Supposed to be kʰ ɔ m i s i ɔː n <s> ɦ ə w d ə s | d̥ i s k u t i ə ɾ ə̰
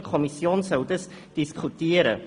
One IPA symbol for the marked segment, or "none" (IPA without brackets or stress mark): s